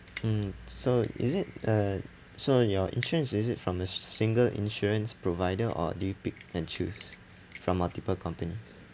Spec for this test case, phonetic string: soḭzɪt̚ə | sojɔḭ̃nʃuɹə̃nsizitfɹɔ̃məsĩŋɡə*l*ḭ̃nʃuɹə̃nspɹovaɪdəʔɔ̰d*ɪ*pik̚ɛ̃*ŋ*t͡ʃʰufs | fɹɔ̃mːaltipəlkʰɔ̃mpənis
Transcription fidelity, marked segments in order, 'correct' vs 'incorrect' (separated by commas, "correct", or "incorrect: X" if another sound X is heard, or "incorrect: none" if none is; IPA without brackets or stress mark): correct, incorrect: i, incorrect: n